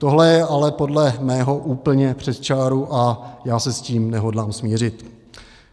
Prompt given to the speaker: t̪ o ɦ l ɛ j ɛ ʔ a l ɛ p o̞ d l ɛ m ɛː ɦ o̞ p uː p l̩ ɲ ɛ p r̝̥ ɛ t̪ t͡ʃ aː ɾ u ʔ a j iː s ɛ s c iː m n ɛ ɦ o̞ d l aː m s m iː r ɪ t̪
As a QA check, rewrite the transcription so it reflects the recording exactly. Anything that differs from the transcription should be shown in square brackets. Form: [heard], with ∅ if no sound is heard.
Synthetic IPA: t̪ o ɦ l ɛ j ɛ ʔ a l ɛ p o̞ d l ɛ m ɛː ɦ o̞ [ʔ] uː p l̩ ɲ ɛ p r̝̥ ɛ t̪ t͡ʃ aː ɾ u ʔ a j [aː] s ɛ s c iː m n ɛ ɦ o̞ d l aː m s m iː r ɪ t̪